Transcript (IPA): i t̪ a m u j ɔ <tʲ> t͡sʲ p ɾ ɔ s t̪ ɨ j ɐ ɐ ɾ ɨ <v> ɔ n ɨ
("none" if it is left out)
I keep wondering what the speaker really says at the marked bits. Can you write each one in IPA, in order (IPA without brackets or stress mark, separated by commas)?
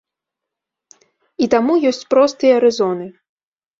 sʲ, z